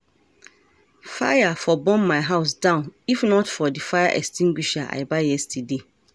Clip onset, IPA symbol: f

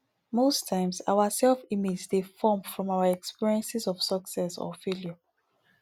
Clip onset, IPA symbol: m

